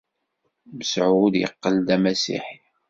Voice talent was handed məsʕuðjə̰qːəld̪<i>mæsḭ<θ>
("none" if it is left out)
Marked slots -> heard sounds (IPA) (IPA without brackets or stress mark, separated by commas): æ, ħ